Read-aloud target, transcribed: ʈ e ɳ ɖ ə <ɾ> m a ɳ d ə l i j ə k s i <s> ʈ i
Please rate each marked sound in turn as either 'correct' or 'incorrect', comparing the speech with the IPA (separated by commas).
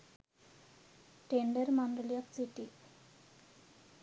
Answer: correct, incorrect